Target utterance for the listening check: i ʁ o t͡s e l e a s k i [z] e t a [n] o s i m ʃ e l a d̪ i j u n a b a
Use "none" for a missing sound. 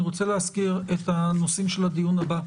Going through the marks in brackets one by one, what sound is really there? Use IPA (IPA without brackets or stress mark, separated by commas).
ʁ, n